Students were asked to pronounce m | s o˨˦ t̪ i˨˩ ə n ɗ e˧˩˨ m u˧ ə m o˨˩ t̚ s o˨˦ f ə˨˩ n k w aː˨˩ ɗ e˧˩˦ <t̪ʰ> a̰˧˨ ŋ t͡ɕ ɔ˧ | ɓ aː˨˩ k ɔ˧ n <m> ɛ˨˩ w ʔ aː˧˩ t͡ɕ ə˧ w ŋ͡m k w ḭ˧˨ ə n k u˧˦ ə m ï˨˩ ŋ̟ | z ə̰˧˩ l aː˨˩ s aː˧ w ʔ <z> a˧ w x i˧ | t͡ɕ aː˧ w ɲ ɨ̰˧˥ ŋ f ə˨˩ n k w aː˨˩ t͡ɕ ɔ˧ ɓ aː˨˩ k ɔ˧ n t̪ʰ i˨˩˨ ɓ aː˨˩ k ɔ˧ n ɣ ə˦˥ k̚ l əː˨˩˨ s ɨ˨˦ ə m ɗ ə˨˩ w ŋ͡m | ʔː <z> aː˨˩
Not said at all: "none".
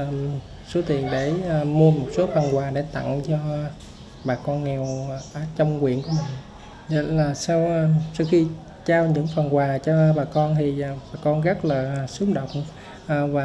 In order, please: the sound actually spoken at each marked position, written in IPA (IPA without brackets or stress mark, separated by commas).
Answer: t̪, ŋ, s, v